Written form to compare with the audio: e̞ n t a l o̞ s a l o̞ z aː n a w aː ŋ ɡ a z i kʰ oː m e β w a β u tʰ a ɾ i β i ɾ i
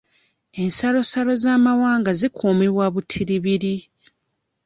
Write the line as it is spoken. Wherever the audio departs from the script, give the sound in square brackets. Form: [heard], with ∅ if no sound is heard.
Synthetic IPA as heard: e̞ n [s] a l o̞ s a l o̞ z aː [m] a w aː ŋ ɡ a z i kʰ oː m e β w a β u tʰ [i] ɾ i β i ɾ i

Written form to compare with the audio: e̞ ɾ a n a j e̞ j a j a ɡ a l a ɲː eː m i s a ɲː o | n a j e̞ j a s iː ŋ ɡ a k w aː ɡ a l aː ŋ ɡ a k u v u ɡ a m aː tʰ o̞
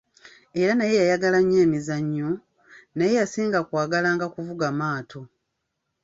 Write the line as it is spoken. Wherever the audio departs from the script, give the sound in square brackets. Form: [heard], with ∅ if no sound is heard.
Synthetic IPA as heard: e̞ ɾ a n a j e̞ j a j a ɡ a l a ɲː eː m i [z] a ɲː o | n a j e̞ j a s iː ŋ ɡ a k w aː ɡ a l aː ŋ ɡ a k u v u ɡ a m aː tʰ o̞

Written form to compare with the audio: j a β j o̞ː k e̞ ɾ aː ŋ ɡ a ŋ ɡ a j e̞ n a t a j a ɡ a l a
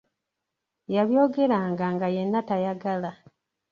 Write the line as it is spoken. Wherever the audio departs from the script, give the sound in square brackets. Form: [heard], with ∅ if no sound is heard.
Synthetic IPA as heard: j a β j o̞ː [ɡ] e̞ ɾ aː ŋ ɡ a ŋ ɡ a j e̞ [nː] a t a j a ɡ a l a

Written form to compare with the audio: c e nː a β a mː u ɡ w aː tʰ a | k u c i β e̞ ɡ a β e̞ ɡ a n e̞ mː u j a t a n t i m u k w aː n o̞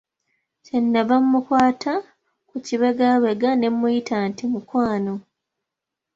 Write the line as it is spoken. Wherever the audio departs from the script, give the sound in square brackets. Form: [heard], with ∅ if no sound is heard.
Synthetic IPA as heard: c e nː a β a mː u [k] w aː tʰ a | k u c i β e̞ ɡ a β e̞ ɡ a n e̞ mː u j [i] t a n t i m u k w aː n o̞

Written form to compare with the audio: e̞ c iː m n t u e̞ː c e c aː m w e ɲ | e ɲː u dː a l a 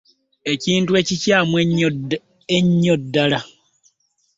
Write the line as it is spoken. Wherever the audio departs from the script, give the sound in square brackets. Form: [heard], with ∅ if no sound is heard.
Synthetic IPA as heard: e̞ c iː [∅] n t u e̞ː c [i] c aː m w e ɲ | e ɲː [o] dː a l a

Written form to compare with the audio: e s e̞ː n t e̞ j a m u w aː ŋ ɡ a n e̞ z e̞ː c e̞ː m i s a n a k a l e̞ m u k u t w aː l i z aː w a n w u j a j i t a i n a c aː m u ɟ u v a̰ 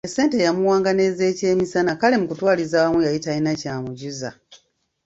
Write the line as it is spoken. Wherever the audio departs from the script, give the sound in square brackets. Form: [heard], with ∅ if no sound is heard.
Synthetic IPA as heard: e s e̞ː n t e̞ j a m u w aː ŋ ɡ a n e̞ z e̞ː c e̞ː m i s a n a k a l e̞ m u k u t w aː l i z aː w a [m] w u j a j i t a i n a c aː m u ɟ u [z] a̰

